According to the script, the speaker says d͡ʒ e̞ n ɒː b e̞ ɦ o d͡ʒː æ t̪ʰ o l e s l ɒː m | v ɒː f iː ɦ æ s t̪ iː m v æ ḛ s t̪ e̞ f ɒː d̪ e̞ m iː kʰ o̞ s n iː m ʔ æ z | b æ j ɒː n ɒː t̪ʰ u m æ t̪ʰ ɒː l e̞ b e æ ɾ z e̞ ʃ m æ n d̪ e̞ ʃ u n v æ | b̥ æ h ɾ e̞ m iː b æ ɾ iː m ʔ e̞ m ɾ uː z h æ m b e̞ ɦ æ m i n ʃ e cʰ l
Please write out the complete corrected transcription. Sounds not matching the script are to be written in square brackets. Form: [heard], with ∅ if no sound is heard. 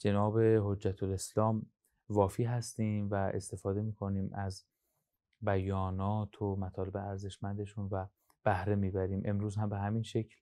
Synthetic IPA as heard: d͡ʒ e̞ n ɒː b e̞ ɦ o d͡ʒː æ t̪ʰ o l e s l ɒː m | v ɒː f iː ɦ æ s t̪ iː m v æ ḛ s t̪ e̞ f ɒː d̪ e̞ m iː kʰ o̞ [∅] n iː m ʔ æ z | b æ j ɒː n ɒː t̪ʰ [o] m æ t̪ʰ ɒː l e̞ b e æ ɾ z e̞ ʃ m æ n d̪ e̞ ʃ u n v æ | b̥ æ h ɾ e̞ m iː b æ ɾ iː m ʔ e̞ m ɾ uː z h æ m b e̞ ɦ æ m i n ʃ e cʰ l